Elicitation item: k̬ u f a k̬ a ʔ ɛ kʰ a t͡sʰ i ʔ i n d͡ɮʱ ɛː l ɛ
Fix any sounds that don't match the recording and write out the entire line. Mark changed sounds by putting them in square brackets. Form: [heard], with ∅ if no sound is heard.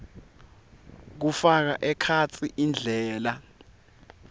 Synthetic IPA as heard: k̬ u f a k̬ a ʔ ɛ kʰ a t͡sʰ i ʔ i n d͡ɮʱ ɛː l [a]